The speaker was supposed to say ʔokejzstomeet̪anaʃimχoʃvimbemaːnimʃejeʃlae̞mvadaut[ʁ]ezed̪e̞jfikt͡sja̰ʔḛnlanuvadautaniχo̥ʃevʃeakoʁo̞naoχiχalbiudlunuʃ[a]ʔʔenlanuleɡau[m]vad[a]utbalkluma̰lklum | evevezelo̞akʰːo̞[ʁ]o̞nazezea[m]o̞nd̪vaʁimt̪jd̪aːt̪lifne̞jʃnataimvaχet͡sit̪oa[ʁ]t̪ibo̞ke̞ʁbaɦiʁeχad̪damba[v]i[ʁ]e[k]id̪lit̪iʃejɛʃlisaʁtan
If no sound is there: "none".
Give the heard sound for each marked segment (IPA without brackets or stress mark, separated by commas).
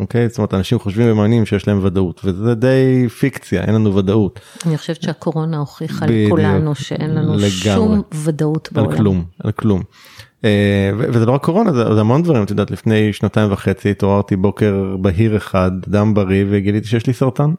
v, e, m, a, ʁ, m, ʁ, ʁ, v, ɡ